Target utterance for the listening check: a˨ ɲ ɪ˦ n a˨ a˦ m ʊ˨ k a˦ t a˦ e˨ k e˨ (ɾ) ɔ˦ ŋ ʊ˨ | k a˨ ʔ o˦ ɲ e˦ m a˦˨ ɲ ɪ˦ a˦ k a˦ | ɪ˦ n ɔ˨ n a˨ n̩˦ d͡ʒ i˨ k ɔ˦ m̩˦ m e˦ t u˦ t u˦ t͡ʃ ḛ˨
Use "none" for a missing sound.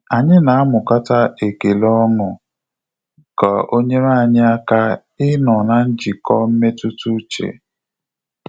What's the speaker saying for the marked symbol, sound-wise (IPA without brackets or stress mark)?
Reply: l